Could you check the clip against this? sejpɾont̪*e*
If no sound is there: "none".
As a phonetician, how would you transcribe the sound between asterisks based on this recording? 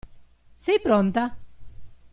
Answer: a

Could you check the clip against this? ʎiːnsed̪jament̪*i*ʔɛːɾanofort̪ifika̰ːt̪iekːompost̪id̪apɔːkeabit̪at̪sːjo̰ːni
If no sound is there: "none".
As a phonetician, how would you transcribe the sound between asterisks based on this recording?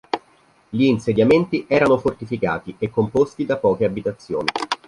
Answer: i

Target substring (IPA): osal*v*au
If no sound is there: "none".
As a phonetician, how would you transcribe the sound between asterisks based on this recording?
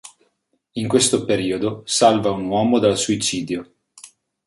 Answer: v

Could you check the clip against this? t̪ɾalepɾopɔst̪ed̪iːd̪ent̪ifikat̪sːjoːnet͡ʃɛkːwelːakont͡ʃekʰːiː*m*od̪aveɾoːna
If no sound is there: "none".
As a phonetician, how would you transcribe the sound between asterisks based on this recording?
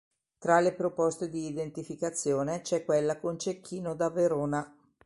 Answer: n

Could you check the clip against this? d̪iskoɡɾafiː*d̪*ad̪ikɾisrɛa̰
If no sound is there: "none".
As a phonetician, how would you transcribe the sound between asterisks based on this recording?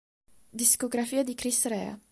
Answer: none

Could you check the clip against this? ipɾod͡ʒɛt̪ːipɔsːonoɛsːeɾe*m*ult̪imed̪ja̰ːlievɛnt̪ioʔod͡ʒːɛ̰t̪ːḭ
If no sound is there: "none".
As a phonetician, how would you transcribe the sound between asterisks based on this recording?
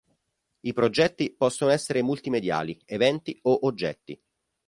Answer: m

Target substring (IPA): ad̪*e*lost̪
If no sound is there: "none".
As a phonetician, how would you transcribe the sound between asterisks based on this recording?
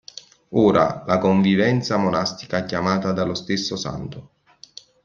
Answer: a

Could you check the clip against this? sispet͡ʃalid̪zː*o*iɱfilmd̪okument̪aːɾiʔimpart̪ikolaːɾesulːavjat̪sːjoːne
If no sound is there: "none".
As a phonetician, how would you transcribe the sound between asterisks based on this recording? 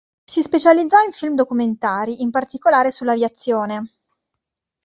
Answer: ɔ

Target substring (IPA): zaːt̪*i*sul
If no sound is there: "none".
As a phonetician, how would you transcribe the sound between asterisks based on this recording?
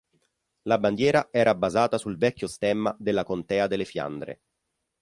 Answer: a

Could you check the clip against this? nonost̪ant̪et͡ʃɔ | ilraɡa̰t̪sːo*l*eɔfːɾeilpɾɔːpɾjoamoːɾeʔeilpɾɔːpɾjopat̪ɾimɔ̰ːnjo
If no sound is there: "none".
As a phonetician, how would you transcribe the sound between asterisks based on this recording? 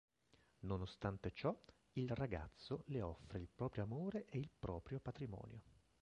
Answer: l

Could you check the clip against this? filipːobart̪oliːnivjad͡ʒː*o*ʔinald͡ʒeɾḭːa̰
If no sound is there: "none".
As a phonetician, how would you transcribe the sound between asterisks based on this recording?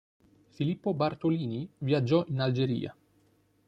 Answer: ɔ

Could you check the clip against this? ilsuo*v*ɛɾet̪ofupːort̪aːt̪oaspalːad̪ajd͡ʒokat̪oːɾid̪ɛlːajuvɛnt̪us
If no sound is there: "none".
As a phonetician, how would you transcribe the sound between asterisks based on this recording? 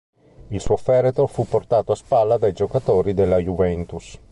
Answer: f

